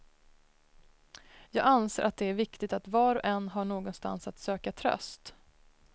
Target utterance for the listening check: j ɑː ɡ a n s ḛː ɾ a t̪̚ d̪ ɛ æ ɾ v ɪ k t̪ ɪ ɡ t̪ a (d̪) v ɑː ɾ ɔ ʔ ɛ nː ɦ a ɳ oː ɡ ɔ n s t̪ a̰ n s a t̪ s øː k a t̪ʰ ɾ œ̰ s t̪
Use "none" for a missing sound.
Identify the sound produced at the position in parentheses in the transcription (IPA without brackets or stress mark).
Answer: t̪